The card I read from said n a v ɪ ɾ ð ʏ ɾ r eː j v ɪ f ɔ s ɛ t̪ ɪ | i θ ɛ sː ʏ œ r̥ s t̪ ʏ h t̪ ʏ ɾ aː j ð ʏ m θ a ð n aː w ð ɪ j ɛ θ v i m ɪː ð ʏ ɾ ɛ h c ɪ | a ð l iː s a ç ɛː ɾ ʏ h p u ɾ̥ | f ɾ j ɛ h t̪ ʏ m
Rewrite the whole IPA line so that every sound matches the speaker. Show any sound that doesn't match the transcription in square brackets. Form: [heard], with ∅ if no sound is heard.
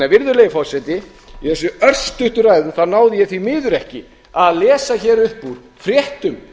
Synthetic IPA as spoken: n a v ɪ ɾ ð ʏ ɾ [l] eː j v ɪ f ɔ s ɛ t̪ ɪ | i θ ɛ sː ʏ œ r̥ s t̪ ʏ h t̪ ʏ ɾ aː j ð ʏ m θ a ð n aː w ð ɪ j ɛ θ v i m ɪː ð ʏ ɾ ɛ h c ɪ | a ð l [ɛː] s a ç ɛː ɾ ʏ h p u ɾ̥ | f ɾ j ɛ h t̪ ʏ m

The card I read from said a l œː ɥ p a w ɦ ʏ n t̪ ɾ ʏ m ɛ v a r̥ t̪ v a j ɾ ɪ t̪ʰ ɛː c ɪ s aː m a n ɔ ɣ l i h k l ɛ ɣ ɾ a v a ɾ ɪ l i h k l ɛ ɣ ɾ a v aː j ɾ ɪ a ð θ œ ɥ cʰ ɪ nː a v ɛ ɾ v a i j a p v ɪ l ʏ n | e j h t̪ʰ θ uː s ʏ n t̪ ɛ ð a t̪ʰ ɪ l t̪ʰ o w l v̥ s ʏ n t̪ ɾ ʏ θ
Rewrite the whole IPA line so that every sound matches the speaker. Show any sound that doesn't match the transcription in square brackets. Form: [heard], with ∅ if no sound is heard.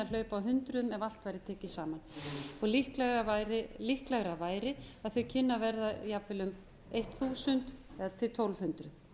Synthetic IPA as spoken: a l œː ɥ p a w ɦ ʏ n t̪ ɾ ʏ m ɛ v a [l̥] t̪ v a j ɾ ɪ t̪ʰ ɛː c ɪ s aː m a n ɔ ɣ l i h k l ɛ ɣ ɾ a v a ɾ ɪ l i h k l ɛ ɣ ɾ a v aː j ɾ ɪ a ð θ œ ɥ cʰ ɪ nː a v ɛ ɾ [ð] a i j a p v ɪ l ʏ [m] | e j h [t̪] θ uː s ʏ n t̪ ɛ ð a t̪ʰ ɪ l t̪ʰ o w l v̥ [h] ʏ n t̪ ɾ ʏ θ

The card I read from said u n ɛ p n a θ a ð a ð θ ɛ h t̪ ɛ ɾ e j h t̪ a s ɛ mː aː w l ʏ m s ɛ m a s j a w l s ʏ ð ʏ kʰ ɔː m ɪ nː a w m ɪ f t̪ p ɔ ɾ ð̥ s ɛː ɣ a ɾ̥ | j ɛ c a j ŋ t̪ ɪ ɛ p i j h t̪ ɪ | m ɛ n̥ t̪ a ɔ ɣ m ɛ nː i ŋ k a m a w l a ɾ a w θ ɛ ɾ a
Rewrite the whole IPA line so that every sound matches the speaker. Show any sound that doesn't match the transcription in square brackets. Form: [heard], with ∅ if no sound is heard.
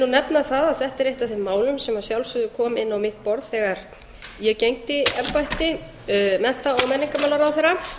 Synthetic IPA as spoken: u n ɛ p n a θ a ð a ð θ ɛ h t̪ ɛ ɾ e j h t̪ a [θ] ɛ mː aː w l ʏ m s ɛ m a s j a w l s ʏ ð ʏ kʰ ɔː m ɪ nː a w m ɪ [h] t̪ p ɔ ɾ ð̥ [θ] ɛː ɣ a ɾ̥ | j ɛ c [e] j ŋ t̪ ɪ ɛ p [a] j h t̪ ɪ | m ɛ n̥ t̪ a ɔ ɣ m ɛ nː i ŋ k a m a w l a ɾ a w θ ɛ ɾ a

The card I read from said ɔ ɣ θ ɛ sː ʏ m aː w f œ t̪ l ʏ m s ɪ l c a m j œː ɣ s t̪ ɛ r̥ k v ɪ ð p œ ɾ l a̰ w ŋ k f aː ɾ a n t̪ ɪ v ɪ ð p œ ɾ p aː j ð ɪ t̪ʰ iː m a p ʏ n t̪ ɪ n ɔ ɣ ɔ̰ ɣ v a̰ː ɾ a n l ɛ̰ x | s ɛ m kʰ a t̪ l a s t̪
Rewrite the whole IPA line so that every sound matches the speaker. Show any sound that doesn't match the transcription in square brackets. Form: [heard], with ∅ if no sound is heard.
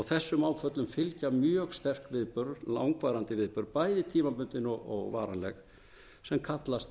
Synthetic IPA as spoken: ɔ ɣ θ ɛ sː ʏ m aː w f œ t̪ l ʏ m [f] ɪ l c a m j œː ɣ s t̪ ɛ r̥ k v ɪ ð p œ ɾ l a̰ w ŋ k [v] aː ɾ a n t̪ ɪ v ɪ ð p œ ɾ p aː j ð ɪ t̪ʰ iː m a p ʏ n t̪ ɪ n ɔ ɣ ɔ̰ ɣ v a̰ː ɾ a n l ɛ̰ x | s ɛ m kʰ a t̪ l a s t̪

